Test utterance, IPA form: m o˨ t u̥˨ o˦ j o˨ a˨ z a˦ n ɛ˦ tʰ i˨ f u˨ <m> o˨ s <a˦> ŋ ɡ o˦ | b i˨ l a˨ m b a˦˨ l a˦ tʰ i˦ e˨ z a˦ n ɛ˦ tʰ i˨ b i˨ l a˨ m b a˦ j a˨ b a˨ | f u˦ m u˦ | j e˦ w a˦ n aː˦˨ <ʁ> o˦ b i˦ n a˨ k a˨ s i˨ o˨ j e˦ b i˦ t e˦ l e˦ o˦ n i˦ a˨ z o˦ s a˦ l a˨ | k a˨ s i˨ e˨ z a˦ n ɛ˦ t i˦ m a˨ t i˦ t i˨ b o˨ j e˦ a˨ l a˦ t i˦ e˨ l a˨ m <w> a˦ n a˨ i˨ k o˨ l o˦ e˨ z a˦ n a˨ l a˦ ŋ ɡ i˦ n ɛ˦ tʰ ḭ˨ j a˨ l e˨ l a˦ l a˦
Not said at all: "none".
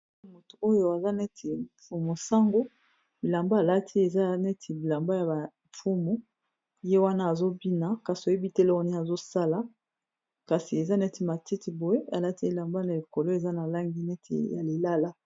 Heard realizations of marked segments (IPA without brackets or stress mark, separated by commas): m, a˦, z, b